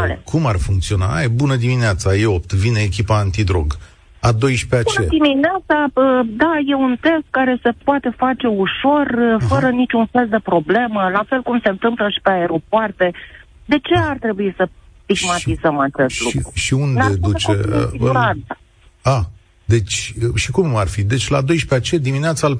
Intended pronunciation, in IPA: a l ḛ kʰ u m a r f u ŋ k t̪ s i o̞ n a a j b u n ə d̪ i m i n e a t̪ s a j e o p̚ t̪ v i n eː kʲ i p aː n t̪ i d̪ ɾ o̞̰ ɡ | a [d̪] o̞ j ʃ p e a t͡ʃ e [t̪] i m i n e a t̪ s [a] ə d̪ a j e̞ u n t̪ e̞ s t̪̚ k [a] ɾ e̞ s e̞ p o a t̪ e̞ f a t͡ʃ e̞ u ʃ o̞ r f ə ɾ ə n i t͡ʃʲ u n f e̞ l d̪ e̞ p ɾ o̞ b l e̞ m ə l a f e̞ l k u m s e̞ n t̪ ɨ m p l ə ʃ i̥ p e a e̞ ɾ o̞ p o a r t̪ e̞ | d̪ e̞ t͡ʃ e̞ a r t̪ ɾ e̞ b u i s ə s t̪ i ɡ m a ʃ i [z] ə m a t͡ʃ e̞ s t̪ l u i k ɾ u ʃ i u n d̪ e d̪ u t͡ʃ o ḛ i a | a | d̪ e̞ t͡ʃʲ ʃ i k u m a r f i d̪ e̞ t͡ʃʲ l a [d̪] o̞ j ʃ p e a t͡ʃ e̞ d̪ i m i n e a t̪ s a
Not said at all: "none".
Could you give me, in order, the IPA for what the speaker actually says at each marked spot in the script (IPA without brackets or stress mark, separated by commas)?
d̪, d̪, a, a, z, d̪